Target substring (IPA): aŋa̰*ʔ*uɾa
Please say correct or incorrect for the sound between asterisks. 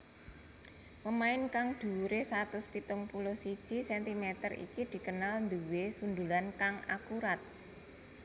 incorrect